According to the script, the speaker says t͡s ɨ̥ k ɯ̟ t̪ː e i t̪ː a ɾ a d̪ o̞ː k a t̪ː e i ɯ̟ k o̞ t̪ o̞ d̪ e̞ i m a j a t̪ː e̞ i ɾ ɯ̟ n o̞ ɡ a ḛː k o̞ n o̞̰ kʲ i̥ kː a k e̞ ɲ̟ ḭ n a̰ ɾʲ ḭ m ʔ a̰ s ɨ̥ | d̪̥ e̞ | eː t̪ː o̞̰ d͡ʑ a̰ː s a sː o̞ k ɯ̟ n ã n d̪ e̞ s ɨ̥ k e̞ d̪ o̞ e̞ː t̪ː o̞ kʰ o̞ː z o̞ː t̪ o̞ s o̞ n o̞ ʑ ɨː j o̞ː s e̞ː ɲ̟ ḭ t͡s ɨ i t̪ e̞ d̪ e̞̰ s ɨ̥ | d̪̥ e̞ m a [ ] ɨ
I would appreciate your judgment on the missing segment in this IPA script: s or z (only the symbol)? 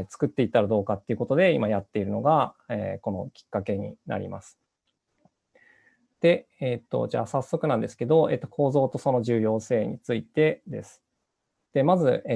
z